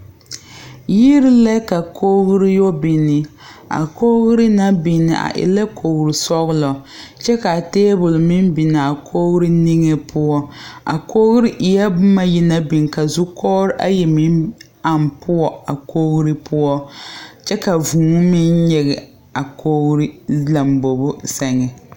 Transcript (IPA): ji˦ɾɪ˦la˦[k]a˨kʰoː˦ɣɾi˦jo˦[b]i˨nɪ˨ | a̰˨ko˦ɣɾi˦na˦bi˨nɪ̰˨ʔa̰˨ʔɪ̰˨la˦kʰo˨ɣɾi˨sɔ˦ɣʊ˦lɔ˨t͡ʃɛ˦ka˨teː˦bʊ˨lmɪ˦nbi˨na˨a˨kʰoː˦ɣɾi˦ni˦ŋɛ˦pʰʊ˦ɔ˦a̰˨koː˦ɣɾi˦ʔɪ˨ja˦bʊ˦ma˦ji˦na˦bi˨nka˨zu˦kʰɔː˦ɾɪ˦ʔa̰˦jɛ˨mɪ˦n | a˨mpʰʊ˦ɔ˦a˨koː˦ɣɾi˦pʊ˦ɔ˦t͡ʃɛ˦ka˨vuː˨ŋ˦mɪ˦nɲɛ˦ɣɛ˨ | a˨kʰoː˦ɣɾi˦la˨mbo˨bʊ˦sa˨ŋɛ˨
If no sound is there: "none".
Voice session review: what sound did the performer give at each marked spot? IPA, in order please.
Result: k, b

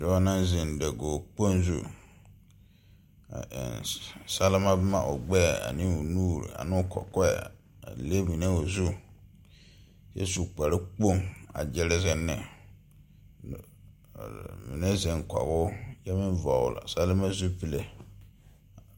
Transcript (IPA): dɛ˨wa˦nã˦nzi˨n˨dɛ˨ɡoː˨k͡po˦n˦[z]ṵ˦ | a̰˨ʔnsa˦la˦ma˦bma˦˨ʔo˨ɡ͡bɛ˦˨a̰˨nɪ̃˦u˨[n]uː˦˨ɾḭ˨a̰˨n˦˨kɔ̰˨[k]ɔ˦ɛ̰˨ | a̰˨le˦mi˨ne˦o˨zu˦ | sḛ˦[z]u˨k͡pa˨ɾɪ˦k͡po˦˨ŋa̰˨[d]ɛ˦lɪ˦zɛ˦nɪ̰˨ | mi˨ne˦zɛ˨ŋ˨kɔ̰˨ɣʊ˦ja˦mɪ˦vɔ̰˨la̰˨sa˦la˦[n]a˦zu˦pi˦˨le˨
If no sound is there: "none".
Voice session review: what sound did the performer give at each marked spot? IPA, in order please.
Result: z, n, k, s, d͡ʒ, m

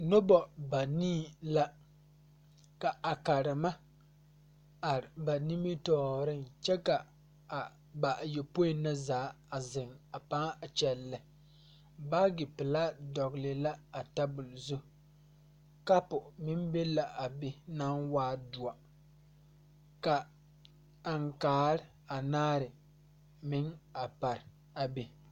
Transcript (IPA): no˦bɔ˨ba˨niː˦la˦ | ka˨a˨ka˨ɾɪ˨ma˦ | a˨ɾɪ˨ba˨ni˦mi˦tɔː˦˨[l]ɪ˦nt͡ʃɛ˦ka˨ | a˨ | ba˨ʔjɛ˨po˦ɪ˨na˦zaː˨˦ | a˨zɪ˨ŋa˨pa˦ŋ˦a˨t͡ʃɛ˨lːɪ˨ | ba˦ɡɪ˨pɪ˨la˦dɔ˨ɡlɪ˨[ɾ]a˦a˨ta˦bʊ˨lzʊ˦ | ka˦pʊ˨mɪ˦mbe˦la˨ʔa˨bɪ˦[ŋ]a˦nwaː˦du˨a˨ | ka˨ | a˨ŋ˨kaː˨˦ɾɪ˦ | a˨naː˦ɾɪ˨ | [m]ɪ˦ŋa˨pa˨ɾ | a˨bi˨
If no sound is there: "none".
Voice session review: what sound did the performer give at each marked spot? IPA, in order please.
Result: ɾ, l, n, m

